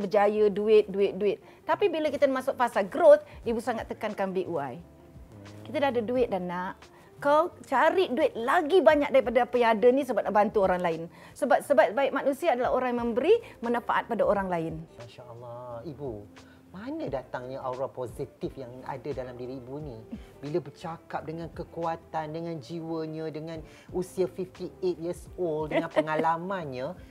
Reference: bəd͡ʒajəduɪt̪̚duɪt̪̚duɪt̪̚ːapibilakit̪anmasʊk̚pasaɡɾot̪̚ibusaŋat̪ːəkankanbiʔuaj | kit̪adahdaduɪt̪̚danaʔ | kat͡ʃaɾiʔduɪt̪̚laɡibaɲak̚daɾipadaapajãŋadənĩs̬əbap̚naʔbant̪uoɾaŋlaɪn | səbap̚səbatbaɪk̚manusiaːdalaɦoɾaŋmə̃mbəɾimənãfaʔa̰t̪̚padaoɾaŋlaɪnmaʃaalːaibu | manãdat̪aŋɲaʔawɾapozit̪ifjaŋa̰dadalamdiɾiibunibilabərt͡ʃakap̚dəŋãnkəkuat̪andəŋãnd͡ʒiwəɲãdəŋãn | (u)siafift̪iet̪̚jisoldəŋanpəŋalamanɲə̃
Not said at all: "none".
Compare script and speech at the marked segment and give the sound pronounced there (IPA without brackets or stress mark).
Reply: u